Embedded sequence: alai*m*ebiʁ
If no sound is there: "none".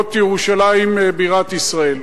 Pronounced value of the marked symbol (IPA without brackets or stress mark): m